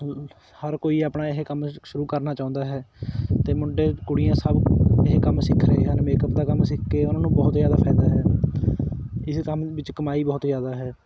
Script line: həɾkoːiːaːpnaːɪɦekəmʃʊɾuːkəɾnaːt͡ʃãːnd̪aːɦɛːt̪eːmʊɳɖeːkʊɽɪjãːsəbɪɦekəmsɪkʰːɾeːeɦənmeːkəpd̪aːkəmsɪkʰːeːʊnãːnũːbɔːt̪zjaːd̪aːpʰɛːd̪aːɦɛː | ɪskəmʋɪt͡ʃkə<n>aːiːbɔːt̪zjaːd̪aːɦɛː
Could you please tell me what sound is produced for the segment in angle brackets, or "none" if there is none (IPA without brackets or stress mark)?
m